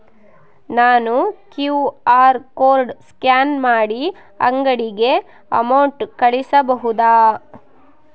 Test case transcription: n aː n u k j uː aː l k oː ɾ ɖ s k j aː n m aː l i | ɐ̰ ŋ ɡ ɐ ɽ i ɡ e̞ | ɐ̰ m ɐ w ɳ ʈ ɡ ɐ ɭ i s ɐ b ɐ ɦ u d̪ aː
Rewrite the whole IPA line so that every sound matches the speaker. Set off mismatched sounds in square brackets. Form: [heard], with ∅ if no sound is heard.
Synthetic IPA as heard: n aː n u k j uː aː [ɾ] k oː ɾ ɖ s k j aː n m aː [ɽ] i | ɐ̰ ŋ ɡ ɐ ɽ i ɡ e̞ | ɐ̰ m ɐ w ɳ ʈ [k] ɐ ɭ i s ɐ b ɐ ɦ u d̪ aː